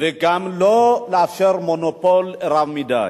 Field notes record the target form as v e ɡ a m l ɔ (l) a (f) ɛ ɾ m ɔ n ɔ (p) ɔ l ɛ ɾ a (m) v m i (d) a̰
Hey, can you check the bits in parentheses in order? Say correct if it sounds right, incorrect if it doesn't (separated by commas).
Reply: correct, correct, correct, incorrect, correct